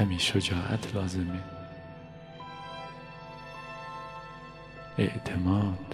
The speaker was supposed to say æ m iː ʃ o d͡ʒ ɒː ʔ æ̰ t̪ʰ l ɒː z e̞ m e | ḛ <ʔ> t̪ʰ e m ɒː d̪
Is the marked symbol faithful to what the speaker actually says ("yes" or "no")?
yes